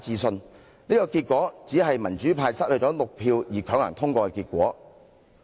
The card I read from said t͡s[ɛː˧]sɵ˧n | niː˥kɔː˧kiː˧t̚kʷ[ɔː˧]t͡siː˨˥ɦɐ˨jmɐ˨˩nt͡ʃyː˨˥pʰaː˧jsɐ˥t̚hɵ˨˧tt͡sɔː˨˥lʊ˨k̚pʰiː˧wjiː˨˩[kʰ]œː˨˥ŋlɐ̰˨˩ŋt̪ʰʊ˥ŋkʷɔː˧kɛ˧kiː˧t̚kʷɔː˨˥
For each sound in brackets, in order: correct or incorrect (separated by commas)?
incorrect, incorrect, correct